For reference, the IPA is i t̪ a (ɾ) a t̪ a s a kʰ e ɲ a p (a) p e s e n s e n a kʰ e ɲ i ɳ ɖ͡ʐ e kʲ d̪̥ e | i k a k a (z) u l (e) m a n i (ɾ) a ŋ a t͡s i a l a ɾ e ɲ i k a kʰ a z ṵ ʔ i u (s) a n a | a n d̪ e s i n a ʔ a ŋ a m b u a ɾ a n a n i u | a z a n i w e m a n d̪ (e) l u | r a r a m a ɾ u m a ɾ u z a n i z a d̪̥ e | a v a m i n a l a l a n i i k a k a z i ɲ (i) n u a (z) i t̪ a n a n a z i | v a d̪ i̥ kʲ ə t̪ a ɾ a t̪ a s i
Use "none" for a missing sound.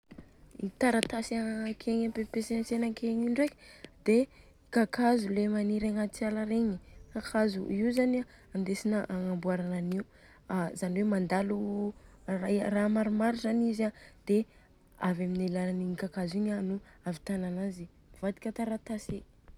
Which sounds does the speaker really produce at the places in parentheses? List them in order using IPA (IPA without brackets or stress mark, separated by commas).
ɾ, e, z, e, ɾ, z, a, a, v